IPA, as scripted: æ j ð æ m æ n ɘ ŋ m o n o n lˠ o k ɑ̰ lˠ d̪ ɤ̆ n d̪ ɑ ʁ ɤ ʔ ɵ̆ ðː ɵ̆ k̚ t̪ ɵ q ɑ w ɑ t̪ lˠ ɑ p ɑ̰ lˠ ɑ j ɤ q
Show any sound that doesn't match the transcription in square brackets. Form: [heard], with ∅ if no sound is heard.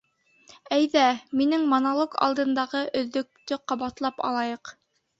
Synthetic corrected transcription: æ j ð æ m [i] n ɘ ŋ m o n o [∅] lˠ o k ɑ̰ lˠ d̪ ɤ̆ n d̪ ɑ ʁ ɤ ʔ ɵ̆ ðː ɵ̆ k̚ t̪ ɵ q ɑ [β] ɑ t̪ lˠ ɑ p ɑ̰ lˠ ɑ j ɤ q